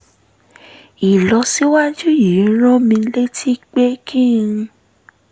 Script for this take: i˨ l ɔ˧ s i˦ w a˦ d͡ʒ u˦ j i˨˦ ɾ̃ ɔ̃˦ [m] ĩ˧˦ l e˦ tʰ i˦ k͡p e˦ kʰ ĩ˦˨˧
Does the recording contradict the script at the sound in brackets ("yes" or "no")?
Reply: no